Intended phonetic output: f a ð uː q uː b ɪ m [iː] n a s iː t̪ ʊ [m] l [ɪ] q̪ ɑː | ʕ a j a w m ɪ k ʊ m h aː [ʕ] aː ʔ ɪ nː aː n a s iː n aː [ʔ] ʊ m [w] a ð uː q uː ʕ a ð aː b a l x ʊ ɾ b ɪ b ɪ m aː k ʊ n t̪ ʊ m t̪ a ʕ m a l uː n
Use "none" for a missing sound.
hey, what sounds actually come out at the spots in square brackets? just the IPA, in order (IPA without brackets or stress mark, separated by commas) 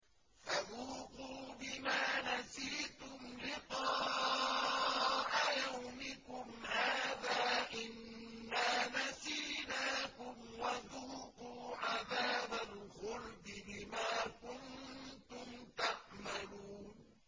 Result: aː, m, ɪ, ð, k, w